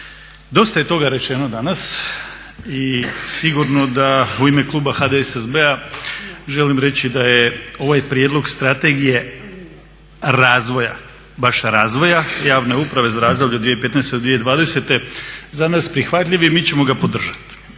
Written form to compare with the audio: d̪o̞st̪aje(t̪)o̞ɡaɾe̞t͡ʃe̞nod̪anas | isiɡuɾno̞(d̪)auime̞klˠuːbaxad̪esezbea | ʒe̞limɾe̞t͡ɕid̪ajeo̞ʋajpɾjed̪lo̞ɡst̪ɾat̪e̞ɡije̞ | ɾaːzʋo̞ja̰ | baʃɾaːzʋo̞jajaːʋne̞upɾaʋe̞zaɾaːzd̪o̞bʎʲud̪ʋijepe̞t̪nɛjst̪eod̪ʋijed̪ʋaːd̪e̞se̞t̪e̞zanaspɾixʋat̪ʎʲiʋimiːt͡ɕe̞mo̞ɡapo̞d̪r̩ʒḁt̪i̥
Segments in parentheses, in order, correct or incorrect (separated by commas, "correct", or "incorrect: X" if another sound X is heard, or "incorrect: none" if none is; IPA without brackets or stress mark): correct, correct